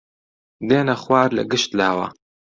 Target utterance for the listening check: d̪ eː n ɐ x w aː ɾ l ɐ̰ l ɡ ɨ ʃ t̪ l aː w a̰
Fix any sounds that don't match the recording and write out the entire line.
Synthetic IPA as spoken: d̪ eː n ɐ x w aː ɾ l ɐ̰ ɡ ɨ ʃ t̪ l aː w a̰